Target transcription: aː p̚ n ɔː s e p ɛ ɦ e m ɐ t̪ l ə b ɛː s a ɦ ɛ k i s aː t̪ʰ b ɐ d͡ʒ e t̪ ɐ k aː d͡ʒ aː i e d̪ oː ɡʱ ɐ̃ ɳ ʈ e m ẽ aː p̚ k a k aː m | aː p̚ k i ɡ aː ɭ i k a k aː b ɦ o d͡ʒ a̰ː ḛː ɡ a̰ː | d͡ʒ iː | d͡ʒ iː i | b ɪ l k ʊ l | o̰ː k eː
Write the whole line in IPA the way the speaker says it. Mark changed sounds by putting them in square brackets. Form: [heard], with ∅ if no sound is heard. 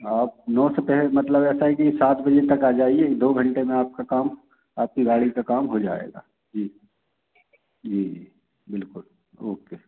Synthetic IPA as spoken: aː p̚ n ɔː s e p ɛ ɦ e m ɐ t̪ l ə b ɛː s a ɦ ɛ k i s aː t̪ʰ b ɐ d͡ʒ e t̪ ɐ k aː d͡ʒ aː i e d̪ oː ɡʱ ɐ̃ ɳ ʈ e m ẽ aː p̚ k a k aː m | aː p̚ k i ɡ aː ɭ i k a k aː [m] ɦ o d͡ʒ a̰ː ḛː ɡ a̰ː | d͡ʒ iː | d͡ʒ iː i | b ɪ l k ʊ l | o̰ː k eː